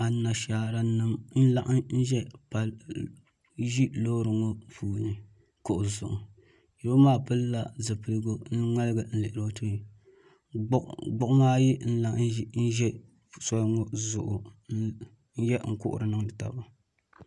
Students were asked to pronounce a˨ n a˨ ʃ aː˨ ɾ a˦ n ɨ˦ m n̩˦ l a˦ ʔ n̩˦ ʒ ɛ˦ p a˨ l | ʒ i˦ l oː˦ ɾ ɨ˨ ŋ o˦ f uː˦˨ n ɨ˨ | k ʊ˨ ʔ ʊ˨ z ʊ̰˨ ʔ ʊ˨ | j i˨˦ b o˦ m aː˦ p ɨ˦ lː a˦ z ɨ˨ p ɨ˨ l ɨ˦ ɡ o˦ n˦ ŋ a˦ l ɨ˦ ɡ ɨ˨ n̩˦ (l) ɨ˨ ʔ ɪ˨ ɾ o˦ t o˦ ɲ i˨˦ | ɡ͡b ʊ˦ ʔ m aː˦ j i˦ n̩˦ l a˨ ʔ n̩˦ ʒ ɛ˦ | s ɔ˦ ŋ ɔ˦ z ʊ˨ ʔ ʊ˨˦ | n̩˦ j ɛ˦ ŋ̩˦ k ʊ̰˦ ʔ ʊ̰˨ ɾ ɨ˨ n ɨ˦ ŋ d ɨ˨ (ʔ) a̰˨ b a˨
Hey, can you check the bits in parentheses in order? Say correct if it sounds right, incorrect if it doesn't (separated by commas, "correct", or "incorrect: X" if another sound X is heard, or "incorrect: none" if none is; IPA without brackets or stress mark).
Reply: correct, incorrect: t